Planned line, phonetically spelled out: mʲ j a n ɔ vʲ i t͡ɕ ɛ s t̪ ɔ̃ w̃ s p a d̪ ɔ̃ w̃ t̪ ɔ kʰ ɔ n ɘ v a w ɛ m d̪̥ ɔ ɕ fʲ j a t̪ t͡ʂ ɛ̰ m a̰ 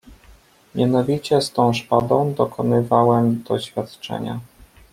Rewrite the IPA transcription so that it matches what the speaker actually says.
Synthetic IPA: mʲ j a n ɔ vʲ i t͡ɕ ɛ s t̪ ɔ̃ w̃ ʂ p a d̪ ɔ̃ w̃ d̪ ɔ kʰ ɔ n ɘ v a w ɛ m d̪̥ ɔ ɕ fʲ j a t̪ t͡ʂ ɛ̰ ɲ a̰

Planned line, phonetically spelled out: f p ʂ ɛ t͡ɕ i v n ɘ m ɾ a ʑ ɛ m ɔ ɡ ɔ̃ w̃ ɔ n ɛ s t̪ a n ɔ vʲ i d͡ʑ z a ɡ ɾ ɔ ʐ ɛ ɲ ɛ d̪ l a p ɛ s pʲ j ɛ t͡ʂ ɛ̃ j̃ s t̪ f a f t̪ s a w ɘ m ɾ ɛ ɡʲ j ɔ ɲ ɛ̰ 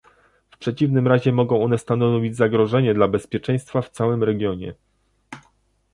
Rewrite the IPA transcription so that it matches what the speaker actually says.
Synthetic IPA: f p ʂ ɛ t͡ɕ i v n ɘ m ɾ a ʑ ɛ m ɔ ɡ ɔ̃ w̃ ɔ n ɛ s t̪ a n ɔ vʲ i d͡ʑ z a ɡ ɾ ɔ ʐ ɛ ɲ ɛ d̪ l a b ɛ s pʲ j ɛ t͡ʂ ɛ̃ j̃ s t̪ f a f t̪ s a w ɘ m ɾ ɛ ɡʲ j ɔ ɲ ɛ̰

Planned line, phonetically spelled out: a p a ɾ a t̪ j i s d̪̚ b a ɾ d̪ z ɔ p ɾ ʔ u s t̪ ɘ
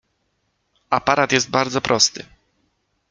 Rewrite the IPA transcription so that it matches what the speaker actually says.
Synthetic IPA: a p a ɾ a t̪ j ɛ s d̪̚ b a ɾ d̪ z ɔ p ɾ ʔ ɔ s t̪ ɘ

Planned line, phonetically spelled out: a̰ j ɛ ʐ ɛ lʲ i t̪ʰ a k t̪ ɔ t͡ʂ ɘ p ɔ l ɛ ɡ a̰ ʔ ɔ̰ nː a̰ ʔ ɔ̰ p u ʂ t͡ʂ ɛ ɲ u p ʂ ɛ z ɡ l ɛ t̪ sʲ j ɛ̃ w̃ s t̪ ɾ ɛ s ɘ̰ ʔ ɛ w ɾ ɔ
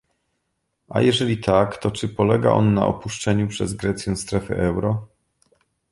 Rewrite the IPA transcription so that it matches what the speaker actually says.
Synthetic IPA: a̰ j ɛ ʐ ɛ lʲ i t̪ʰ a k t̪ ɔ t͡ʂ ɘ p ɔ l ɛ ɡ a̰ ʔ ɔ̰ nː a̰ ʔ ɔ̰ p u ʂ t͡ʂ ɛ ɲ u p ʂ ɛ z ɡ ɾ ɛ t̪ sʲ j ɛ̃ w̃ s t̪ ɾ ɛ f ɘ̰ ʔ ɛ w ɾ ɔ

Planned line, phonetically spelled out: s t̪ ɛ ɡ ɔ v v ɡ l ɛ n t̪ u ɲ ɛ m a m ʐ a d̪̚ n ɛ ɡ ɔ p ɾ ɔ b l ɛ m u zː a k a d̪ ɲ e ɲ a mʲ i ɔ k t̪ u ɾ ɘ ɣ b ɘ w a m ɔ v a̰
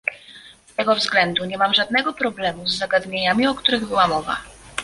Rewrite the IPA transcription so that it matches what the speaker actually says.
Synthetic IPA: s t̪ ɛ ɡ ɔ v z ɡ l ɛ n d̪ u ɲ ɛ m a m ʐ a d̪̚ n ɛ ɡ ɔ p ɾ ɔ b l ɛ m u zː a ɡ a d̪ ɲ e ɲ a mʲ i ɔ k t̪ u ɾ ɘ ɣ b ɘ w a m ɔ v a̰

